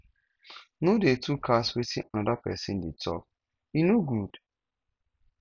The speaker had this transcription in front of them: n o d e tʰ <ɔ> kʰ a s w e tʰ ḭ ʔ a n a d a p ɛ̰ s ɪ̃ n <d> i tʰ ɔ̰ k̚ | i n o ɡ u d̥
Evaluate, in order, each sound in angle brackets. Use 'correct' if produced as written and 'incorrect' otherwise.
incorrect, correct

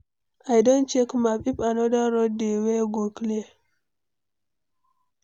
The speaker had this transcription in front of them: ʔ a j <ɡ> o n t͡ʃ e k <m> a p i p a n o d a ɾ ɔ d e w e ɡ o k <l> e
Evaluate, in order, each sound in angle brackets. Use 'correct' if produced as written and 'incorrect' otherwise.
incorrect, correct, correct

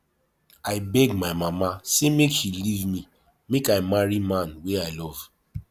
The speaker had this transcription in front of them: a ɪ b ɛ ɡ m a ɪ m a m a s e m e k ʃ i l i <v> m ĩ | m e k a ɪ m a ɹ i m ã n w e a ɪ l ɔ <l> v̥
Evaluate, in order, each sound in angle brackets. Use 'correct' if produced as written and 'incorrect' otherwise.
correct, incorrect

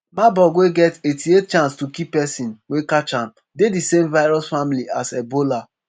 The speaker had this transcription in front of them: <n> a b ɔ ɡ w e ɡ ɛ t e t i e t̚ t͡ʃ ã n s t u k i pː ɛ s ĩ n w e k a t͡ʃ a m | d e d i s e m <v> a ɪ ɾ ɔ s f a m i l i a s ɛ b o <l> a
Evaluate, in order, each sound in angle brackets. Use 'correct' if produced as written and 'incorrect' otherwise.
incorrect, correct, correct

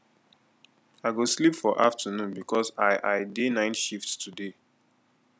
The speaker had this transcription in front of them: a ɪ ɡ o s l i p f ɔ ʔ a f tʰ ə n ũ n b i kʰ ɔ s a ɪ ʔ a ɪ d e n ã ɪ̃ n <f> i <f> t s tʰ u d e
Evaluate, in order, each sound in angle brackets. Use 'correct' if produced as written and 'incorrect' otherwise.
incorrect, correct

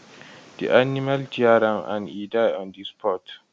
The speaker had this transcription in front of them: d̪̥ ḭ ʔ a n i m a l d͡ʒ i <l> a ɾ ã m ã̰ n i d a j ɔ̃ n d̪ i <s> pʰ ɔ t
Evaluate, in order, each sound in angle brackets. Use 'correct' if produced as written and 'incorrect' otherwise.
incorrect, correct

